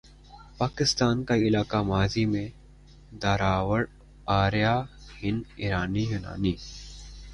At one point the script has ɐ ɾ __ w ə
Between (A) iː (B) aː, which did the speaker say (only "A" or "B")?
B